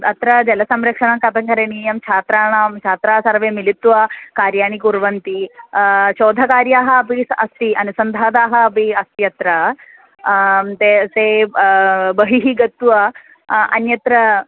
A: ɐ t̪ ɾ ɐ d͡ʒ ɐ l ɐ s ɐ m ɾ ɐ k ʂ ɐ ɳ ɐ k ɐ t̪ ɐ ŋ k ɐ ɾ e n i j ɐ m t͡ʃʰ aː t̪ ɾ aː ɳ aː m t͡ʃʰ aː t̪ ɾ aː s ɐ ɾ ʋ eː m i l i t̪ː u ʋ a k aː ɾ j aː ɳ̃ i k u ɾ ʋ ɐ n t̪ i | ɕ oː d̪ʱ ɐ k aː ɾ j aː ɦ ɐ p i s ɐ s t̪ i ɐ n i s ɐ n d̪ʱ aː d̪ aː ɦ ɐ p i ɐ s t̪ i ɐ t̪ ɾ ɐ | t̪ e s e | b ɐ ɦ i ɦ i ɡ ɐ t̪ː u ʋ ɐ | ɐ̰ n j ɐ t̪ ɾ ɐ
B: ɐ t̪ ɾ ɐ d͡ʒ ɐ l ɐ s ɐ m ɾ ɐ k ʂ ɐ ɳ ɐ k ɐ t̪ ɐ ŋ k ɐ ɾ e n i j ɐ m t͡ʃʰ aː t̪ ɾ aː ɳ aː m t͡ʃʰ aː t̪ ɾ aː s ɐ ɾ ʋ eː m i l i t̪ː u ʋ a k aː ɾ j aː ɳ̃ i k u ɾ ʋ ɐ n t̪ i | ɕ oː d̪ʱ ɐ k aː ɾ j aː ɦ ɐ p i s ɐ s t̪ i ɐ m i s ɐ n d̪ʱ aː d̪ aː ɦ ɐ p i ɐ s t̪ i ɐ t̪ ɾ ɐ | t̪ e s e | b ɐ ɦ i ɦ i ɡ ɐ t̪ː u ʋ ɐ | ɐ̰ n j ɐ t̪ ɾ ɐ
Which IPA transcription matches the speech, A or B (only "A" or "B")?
A